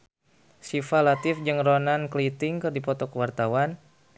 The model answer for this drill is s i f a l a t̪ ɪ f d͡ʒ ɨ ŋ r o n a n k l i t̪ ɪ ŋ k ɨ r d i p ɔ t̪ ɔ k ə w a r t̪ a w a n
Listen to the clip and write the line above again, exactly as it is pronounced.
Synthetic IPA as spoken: s i f a l a t̪ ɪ f d͡ʒ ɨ ŋ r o n a n k l i t̪ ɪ ŋ k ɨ r d i p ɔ t̪ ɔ k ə w a r t̪ a w a n